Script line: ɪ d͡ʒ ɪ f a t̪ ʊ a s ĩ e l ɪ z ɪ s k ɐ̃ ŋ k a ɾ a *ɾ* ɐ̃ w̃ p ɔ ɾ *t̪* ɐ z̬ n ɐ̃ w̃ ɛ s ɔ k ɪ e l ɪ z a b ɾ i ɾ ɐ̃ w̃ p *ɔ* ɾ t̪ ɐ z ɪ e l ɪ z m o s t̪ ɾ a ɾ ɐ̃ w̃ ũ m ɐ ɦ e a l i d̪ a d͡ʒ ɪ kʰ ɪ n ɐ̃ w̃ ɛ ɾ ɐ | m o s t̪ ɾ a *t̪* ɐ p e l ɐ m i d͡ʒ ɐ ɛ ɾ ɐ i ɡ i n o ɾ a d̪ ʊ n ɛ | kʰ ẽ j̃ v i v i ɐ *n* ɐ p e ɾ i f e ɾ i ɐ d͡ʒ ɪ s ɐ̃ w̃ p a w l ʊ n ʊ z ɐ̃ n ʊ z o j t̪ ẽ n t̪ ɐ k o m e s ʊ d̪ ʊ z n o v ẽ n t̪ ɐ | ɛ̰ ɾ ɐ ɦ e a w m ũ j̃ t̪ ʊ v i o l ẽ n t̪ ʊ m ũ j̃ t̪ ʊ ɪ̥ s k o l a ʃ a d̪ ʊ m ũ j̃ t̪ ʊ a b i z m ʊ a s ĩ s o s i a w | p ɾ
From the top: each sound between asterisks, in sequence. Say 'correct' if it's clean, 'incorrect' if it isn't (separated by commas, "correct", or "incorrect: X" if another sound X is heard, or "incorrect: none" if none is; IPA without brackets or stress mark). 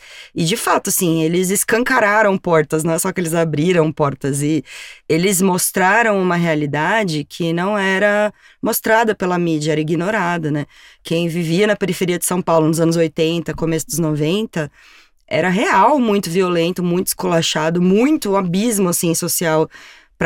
correct, correct, correct, incorrect: d̪, correct